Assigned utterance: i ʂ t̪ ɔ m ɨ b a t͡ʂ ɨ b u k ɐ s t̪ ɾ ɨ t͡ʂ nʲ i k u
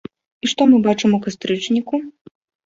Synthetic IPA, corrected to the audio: i ʂ t̪ ɔ m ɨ b a t͡ʂ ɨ m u k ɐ s t̪ ɾ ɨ t͡ʂ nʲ i k u